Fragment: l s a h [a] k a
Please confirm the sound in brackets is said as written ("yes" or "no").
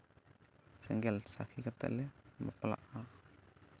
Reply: no